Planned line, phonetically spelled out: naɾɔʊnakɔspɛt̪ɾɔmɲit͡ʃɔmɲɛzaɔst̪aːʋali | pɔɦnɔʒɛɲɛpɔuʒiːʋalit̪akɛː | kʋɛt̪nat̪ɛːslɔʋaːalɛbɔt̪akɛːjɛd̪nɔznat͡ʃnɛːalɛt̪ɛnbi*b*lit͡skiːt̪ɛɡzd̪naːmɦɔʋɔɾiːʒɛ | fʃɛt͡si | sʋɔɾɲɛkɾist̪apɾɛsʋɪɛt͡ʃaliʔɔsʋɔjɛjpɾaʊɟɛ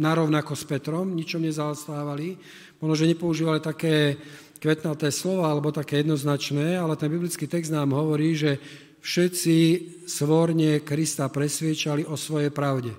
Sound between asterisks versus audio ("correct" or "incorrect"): correct